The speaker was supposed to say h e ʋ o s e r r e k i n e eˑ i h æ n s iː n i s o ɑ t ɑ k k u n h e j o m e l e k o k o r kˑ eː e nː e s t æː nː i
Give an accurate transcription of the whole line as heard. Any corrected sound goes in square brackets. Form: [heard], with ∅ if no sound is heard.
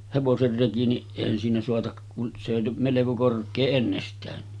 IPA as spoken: h e ʋ o s e r r e k i n [i] eˑ i h æ n s iː n [æ] s o ɑ t ɑ k k u n [s] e j o m e l e k o k o r kˑ eː e nː e s t æː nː i